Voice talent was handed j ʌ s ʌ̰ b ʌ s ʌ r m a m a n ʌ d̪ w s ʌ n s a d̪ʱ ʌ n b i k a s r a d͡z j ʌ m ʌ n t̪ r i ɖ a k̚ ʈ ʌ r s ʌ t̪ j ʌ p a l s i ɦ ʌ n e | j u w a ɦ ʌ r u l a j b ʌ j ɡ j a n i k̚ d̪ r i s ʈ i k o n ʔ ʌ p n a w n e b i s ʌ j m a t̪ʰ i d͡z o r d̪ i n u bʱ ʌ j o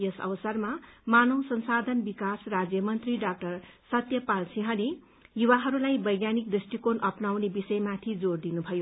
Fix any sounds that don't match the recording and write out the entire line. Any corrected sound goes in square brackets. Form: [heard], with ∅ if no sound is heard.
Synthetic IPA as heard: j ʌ s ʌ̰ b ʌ s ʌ r m a m a n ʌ [∅] w s ʌ n s a d̪ʱ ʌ n b i k a s r a d͡z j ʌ m ʌ n t̪ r i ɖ a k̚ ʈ ʌ r s ʌ t̪ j ʌ p a l s i ɦ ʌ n e | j u w a ɦ ʌ [ɾ] u l a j b ʌ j ɡ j a n i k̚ d̪ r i s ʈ i k o n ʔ ʌ p n a w n e b i s ʌ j m a t̪ʰ i d͡z o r d̪ i n u bʱ ʌ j o